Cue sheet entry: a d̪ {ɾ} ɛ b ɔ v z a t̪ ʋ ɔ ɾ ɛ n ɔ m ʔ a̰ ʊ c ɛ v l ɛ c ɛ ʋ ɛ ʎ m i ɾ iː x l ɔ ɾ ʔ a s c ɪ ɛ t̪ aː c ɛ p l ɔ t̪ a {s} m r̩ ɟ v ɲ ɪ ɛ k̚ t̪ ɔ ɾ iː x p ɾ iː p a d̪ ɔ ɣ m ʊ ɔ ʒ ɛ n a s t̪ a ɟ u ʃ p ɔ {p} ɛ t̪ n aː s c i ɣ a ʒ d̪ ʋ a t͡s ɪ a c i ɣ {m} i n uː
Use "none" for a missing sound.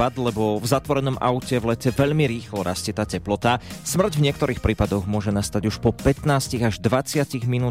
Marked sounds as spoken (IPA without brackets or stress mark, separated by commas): l, s, p, m